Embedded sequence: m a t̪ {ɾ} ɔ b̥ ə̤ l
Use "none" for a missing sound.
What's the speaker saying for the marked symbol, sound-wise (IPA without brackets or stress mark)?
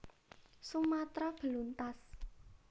ɾ